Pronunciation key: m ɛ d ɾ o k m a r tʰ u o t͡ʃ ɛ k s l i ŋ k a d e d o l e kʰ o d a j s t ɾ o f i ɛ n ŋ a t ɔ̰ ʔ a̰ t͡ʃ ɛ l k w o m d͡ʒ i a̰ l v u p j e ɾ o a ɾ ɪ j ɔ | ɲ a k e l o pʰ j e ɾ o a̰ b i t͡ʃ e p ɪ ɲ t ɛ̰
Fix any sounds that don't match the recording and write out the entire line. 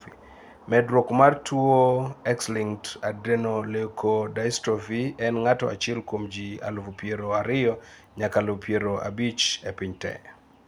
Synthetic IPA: m ɛ d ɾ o k m a r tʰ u o ɛ k s l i ŋ t a d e n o l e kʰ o d a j s t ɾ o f i ɛ n ŋ a t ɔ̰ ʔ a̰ t͡ʃ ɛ l k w o m d͡ʒ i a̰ l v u p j e ɾ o a ɾ ɪ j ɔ | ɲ a k a l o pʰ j e ɾ o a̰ b i t͡ʃ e p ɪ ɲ t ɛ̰